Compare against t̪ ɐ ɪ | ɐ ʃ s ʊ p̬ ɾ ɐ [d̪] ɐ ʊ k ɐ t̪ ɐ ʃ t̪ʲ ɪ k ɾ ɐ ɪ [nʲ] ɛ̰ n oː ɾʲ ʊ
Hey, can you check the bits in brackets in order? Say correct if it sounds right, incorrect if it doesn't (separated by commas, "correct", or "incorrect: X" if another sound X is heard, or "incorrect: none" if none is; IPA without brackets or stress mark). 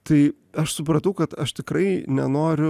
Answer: incorrect: t̪, correct